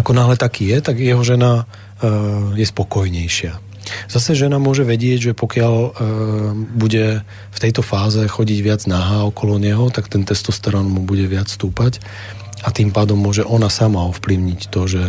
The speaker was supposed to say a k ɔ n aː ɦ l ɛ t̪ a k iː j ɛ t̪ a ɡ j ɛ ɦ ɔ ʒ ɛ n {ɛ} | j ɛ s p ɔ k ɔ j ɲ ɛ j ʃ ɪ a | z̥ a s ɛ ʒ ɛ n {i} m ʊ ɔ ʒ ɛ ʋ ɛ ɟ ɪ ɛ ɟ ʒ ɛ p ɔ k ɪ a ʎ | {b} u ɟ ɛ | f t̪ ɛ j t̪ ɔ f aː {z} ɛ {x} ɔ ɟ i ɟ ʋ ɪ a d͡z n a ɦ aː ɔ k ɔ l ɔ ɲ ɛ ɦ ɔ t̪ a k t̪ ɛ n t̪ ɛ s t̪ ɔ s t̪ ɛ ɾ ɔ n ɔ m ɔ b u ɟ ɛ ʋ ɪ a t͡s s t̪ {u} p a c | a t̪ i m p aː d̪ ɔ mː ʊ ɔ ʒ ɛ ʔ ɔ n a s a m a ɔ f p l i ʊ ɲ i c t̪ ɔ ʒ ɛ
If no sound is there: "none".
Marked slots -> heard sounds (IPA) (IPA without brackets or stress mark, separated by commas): a, a, b, z, x, uː